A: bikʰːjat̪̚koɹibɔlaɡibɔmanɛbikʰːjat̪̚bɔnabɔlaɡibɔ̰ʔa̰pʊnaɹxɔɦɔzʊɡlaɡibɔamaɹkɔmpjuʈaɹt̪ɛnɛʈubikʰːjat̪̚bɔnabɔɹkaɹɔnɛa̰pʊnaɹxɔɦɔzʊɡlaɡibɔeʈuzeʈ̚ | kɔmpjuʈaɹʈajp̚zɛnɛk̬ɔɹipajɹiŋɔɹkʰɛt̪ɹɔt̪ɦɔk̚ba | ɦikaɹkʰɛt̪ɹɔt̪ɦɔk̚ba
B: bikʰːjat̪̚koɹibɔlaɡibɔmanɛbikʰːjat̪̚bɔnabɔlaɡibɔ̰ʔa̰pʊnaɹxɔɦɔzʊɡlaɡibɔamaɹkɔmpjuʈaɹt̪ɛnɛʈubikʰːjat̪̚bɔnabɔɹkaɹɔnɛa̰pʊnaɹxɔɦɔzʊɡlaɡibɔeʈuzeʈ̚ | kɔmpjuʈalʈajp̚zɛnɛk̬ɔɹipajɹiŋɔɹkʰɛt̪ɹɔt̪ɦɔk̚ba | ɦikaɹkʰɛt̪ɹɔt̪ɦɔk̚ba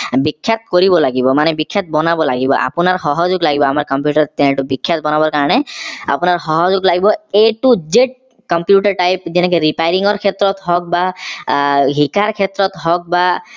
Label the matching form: A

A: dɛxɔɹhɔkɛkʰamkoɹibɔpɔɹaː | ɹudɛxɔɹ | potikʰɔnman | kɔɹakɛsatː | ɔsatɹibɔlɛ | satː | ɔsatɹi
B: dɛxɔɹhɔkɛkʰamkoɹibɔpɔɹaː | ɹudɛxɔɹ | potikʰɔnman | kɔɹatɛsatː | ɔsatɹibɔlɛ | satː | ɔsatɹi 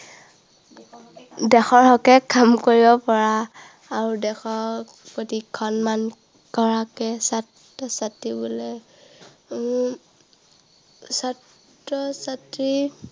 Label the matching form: A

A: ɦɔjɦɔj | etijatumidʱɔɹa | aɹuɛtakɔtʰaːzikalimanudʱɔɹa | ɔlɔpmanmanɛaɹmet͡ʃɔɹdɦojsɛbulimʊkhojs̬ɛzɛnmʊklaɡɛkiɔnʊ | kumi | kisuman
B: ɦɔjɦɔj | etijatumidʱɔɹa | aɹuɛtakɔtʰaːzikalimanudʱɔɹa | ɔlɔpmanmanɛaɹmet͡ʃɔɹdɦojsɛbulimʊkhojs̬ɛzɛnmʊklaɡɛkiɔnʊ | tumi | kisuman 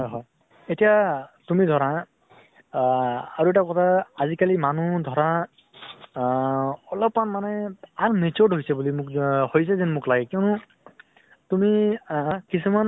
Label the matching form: B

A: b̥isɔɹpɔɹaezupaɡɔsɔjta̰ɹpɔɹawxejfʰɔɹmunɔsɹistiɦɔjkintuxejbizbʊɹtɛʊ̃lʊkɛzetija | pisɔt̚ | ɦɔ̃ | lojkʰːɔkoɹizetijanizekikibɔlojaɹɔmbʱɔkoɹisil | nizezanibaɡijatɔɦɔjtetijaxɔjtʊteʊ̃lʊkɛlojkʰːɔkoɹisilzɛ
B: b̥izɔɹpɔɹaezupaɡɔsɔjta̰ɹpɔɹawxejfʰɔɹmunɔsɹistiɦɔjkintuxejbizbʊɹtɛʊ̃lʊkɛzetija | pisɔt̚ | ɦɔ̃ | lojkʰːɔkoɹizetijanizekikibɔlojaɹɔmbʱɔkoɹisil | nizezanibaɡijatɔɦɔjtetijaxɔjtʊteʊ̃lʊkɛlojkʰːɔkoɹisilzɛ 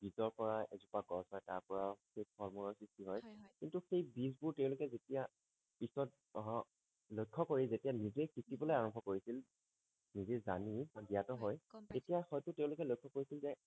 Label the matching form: B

